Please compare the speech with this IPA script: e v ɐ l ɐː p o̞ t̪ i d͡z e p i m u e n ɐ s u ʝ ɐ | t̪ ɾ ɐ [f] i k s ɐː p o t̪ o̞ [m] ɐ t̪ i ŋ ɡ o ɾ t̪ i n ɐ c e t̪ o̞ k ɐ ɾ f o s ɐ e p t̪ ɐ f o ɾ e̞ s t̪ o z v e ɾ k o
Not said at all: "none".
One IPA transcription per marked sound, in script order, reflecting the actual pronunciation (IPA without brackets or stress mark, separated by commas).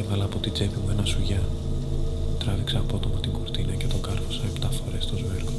v, m